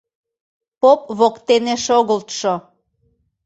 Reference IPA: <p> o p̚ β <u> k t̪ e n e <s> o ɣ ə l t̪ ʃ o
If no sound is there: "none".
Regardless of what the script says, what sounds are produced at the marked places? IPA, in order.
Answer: p, o, ʃ

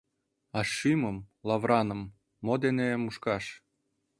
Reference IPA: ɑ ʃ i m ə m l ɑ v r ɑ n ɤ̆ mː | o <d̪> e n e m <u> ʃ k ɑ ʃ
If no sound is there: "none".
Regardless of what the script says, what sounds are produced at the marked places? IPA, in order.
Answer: d̪, u

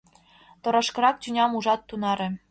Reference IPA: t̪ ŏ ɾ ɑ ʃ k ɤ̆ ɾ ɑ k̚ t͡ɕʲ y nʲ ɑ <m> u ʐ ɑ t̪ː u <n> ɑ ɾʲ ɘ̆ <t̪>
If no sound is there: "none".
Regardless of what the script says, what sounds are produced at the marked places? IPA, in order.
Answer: m, n, none

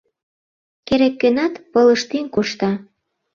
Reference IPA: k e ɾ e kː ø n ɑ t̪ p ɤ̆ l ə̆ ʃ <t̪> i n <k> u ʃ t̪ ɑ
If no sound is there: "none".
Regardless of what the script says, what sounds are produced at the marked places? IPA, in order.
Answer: t̪, k

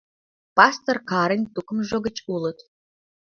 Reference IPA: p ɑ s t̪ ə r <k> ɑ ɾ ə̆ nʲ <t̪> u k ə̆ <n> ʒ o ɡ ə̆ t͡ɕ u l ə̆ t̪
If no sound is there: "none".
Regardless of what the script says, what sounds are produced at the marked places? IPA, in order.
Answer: k, t̪, m

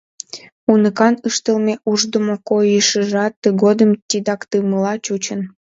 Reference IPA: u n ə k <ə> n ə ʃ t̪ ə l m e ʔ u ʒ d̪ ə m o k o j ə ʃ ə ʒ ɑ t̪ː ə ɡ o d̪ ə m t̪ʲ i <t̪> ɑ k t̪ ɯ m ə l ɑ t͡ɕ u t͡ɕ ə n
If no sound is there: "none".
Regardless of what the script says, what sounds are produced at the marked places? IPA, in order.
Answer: ɑ, d̪

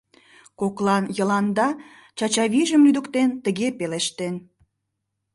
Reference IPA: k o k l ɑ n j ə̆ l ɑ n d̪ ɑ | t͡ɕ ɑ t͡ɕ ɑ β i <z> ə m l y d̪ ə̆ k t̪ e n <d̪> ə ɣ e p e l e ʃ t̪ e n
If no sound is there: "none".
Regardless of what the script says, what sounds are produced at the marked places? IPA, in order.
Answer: ʒ, t̪

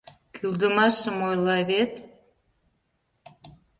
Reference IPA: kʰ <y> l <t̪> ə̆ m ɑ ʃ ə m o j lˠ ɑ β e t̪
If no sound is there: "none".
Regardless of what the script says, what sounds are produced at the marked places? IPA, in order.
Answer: y, d̪

